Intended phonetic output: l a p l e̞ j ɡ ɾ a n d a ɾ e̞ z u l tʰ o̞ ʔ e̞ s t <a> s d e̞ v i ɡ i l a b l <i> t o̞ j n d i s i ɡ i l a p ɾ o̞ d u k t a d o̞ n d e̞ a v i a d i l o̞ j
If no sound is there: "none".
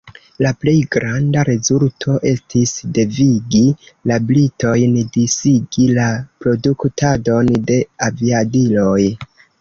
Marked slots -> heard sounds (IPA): i, i

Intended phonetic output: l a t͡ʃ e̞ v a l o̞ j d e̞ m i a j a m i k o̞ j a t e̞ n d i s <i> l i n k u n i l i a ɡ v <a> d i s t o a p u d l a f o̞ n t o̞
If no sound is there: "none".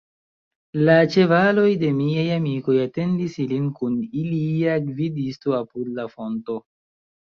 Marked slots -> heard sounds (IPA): i, i

